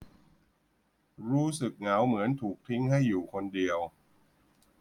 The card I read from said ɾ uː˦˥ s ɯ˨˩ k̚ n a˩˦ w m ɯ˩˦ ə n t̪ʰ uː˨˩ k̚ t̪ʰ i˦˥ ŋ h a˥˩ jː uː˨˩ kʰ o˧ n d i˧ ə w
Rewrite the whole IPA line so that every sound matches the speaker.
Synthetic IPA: ɾ uː˦˥ s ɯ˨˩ k̚ ŋ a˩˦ w m ɯ˩˦ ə n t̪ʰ uː˨˩ k̚ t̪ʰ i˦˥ ŋ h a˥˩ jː uː˨˩ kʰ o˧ n d i˧ ə w